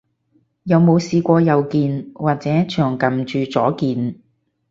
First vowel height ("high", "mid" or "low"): low